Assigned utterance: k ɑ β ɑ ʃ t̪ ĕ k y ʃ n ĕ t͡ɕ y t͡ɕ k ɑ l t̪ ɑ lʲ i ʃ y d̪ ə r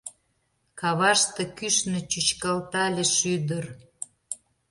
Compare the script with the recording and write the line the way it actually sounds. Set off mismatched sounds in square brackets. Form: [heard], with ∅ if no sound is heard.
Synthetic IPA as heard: k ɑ β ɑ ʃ t̪ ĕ k y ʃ n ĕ t͡ɕ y t͡ɕ k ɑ l t̪ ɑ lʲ [e] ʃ y d̪ ə r